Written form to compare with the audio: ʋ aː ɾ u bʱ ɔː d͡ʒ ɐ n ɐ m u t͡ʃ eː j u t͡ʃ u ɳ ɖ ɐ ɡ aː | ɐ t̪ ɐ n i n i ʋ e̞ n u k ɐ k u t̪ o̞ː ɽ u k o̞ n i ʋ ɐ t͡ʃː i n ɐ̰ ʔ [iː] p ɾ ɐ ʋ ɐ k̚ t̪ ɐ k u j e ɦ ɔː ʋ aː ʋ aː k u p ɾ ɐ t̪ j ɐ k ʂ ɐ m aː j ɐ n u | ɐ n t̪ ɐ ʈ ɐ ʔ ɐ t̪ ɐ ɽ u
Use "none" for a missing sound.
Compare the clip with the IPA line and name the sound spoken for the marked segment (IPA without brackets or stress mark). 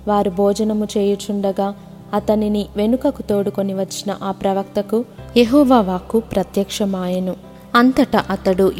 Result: aː